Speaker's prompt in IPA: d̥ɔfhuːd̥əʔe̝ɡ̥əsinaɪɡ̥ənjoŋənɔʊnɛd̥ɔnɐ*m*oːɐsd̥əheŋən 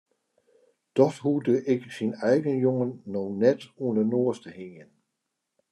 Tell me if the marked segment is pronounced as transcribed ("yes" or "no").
no